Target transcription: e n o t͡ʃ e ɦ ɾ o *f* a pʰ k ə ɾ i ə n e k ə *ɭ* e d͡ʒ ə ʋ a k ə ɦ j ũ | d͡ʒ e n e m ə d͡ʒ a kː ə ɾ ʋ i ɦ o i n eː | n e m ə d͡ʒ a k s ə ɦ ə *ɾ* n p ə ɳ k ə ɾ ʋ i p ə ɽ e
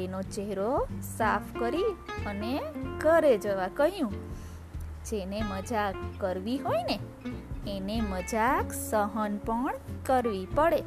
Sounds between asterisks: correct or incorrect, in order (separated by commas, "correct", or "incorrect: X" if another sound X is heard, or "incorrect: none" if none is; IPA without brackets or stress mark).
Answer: incorrect: s, incorrect: ɾ, incorrect: none